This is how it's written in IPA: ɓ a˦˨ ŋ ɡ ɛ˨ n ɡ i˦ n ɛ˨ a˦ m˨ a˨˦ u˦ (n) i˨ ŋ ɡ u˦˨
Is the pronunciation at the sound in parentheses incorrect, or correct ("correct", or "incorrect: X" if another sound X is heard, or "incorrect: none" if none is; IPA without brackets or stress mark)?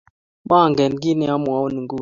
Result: correct